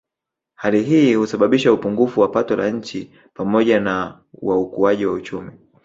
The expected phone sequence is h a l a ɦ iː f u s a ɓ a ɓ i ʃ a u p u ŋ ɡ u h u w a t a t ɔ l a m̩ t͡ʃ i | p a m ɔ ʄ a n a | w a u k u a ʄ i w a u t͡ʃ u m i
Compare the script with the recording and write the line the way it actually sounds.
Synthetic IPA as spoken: h a l i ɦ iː h u s a ɓ a ɓ i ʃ a u p u ŋ ɡ u f u w a p a t ɔ l a ɲ̩ t͡ʃ i | p a m ɔ ʄ a n a | w a u k u a ʄ i w a u t͡ʃ u m i